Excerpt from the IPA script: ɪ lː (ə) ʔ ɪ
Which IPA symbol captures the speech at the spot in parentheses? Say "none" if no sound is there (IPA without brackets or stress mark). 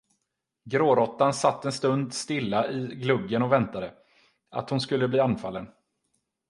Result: a